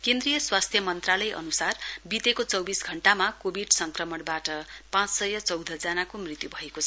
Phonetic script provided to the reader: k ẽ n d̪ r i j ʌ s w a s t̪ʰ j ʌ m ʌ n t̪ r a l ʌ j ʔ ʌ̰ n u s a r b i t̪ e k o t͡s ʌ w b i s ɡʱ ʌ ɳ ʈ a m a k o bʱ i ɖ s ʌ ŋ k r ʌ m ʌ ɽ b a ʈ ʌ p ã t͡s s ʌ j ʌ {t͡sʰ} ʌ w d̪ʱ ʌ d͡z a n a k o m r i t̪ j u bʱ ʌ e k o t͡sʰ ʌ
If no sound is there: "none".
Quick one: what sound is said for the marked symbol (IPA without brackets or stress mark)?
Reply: t͡s